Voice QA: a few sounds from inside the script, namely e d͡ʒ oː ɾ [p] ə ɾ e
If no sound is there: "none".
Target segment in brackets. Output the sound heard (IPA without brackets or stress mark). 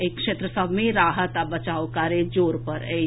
p